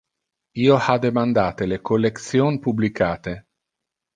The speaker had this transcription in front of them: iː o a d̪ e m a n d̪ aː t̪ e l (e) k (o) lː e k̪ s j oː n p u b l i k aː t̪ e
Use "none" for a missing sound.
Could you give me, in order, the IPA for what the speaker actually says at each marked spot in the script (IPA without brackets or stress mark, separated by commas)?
e, o